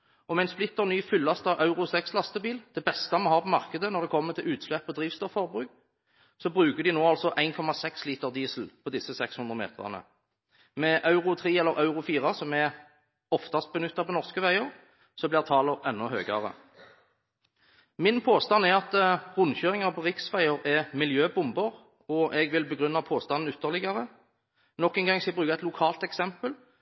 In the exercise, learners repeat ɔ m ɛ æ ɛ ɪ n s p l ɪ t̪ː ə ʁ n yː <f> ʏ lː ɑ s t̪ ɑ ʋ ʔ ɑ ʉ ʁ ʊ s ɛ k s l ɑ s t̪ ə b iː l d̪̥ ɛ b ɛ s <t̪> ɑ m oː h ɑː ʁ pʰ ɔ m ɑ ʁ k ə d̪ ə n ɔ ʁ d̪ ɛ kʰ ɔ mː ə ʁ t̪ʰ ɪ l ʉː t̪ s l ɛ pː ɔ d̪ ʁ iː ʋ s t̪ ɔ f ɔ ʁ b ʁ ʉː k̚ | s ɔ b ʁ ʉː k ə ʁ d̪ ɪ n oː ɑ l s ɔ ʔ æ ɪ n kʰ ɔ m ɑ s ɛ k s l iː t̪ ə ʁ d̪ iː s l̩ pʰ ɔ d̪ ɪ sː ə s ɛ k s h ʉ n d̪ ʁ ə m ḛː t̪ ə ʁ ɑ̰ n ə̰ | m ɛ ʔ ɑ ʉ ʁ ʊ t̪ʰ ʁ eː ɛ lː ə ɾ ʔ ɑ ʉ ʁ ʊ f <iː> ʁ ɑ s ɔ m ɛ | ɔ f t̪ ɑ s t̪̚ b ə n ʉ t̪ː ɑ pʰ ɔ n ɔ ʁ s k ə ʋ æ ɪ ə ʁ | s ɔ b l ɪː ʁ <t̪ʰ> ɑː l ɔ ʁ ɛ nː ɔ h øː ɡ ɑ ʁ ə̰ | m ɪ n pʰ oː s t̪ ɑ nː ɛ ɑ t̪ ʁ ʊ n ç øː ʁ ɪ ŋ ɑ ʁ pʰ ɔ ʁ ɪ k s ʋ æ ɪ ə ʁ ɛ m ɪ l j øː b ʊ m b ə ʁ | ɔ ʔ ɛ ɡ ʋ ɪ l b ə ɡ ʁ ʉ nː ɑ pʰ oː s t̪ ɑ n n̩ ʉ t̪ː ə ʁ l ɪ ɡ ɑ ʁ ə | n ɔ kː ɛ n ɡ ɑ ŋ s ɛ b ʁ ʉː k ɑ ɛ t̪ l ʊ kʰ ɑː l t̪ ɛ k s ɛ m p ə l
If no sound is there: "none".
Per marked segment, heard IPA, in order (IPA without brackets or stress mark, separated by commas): f, t̪, iː, t̪ʰ